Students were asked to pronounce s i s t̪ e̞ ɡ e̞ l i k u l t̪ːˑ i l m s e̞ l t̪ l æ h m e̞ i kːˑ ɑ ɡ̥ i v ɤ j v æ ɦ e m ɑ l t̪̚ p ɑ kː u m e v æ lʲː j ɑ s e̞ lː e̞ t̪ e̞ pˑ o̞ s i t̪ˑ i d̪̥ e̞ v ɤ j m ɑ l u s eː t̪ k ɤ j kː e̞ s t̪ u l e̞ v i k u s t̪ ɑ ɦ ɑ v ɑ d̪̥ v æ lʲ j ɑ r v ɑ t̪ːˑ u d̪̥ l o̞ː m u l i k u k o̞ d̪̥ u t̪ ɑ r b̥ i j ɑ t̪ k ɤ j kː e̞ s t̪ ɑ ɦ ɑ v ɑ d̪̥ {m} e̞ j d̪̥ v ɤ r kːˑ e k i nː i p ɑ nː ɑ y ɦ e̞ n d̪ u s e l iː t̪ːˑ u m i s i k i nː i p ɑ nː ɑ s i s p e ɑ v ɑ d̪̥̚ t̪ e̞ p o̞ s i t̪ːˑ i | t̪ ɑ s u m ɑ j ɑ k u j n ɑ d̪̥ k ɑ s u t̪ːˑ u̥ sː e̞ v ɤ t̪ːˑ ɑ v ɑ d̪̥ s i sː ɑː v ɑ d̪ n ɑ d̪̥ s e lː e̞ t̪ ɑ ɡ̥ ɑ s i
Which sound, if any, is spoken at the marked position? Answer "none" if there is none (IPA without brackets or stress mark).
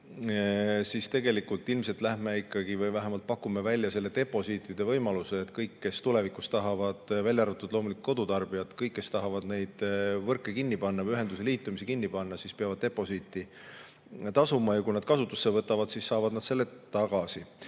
n